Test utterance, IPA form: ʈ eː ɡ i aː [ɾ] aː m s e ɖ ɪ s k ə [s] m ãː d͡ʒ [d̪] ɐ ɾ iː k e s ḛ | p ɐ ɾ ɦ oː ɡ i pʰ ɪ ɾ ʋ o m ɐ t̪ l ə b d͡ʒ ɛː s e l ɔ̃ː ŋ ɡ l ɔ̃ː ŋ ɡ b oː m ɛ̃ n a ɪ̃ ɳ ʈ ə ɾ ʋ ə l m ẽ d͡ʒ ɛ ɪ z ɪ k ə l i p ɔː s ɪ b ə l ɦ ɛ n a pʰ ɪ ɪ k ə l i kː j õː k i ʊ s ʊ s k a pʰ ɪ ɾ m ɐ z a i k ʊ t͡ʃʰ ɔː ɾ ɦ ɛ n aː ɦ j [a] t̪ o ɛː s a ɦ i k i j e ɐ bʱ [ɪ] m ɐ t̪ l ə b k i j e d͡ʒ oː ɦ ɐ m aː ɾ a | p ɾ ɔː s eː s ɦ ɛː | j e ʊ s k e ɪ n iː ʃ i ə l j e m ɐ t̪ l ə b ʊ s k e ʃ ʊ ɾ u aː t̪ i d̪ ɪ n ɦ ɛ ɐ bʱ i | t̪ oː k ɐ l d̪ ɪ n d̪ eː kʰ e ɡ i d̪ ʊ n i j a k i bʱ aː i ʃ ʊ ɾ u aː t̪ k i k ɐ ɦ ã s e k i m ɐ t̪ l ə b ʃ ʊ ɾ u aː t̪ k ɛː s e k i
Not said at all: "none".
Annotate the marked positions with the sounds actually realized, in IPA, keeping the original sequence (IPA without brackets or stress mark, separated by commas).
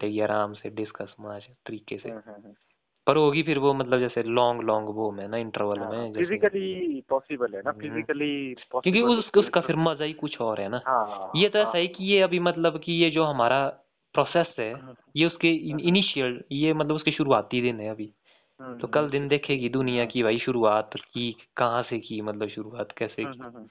ɾ, s, t̪, e, i